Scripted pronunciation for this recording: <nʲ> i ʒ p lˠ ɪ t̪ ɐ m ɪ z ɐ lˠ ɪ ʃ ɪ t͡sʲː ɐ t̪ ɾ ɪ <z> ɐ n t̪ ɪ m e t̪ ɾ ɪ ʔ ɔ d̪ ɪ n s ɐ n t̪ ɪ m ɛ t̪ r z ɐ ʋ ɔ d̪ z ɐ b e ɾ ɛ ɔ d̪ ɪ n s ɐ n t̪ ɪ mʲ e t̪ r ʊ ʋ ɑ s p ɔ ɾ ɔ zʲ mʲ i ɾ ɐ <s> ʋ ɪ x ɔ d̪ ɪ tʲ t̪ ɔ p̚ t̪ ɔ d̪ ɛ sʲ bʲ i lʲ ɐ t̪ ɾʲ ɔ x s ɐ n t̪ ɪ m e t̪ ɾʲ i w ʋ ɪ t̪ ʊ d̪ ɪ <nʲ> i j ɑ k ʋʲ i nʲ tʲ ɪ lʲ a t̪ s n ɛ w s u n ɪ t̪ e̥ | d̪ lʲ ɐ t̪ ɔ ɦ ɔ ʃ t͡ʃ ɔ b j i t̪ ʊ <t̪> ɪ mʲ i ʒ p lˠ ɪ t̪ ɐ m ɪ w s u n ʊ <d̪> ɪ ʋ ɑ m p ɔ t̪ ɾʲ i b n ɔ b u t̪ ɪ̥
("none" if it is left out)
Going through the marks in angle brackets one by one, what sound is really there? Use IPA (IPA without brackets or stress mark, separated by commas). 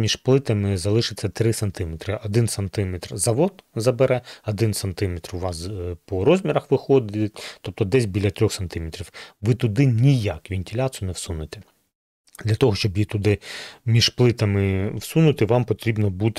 mʲ, s, x, nʲ, d̪, t̪